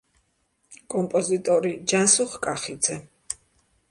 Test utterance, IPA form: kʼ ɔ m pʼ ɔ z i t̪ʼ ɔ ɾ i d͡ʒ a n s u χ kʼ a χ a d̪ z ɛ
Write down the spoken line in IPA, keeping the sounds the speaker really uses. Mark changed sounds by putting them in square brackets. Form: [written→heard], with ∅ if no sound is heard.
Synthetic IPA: kʼ ɔ m pʼ ɔ z i t̪ʼ ɔ ɾ i d͡ʒ a n s u χ kʼ a χ [a→i] d̪ z ɛ